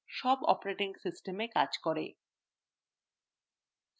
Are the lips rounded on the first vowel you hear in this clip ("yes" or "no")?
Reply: yes